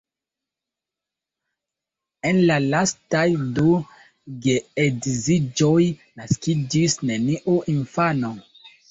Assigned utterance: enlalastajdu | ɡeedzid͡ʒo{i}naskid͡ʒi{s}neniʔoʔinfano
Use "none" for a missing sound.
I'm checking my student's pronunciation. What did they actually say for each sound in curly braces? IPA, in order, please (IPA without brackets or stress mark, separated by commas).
j, s